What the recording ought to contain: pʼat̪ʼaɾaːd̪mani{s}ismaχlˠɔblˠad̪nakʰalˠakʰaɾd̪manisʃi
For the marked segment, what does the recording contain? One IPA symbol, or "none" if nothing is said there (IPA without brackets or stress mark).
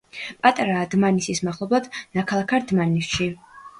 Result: s